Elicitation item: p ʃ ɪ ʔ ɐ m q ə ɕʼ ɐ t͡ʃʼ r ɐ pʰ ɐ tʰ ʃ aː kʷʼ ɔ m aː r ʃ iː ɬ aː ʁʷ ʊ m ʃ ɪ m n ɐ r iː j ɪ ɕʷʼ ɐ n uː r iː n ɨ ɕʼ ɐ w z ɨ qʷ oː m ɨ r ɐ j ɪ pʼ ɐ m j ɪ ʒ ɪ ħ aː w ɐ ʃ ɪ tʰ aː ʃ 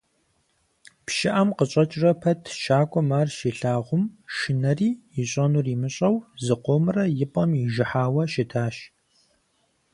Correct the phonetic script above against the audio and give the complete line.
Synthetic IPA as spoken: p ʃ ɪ ʔ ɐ m q ə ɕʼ ɐ t͡ʃʼ r ɐ pʰ ɐ tʰ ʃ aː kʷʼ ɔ m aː r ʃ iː ɬ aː ʁʷ ʊ m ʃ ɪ n ɐ r iː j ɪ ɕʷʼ ɐ n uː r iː m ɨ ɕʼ ɐ w z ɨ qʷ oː m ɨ r ɐ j ɪ pʼ ɐ m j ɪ ʒ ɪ ħ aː w ɐ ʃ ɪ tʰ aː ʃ